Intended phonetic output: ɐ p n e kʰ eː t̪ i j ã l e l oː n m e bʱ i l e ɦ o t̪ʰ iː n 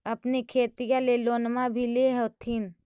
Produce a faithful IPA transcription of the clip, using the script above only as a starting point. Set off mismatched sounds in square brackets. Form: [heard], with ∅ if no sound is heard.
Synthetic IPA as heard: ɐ p n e kʰ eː t̪ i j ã l e l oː n m [a] bʱ i l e ɦ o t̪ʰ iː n